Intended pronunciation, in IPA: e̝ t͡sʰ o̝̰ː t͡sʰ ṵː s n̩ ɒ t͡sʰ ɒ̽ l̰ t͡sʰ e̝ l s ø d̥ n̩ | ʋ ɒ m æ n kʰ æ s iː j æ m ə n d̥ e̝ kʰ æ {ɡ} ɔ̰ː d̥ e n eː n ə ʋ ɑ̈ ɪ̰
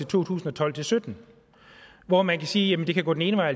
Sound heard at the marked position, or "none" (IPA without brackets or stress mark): ɡ